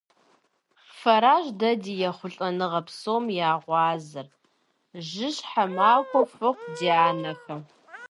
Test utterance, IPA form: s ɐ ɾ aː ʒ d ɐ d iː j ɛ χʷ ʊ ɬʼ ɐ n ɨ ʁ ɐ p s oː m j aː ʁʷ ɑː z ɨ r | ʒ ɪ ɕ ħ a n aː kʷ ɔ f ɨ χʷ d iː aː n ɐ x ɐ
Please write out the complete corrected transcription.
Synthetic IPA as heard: f ɐ ɾ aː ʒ d ɐ d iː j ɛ χʷ ʊ ɬʼ ɐ n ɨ ʁ ɐ p s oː m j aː ʁʷ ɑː z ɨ r | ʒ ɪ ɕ ħ a m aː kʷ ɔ f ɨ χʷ d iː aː n ɐ x ɐ